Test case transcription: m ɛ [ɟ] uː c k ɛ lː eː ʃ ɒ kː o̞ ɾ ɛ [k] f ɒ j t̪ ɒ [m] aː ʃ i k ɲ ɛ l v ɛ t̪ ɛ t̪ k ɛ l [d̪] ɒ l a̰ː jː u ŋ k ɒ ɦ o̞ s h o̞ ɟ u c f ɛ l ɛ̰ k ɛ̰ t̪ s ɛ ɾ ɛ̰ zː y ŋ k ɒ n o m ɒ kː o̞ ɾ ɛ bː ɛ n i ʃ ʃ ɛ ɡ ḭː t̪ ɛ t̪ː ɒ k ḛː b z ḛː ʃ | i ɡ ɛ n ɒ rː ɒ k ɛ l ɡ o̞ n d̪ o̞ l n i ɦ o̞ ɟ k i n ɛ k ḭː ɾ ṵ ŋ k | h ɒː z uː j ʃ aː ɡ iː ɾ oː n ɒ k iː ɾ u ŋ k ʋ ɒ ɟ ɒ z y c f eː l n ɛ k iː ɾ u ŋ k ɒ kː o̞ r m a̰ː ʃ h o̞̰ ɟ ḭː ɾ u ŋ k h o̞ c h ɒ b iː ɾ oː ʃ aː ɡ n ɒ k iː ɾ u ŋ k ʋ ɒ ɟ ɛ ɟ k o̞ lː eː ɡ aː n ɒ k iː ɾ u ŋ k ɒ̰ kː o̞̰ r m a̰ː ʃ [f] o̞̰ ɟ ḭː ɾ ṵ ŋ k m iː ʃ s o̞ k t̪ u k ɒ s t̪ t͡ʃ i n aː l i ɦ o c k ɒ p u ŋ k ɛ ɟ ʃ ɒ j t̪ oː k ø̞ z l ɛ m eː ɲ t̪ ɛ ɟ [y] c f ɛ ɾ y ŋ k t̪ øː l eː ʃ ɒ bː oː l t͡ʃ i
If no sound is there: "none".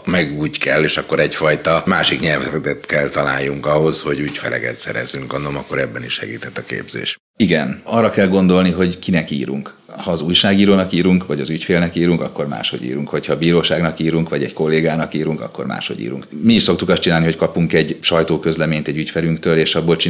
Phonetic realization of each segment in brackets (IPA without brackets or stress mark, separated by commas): ɡ, c, m, t̪, h, y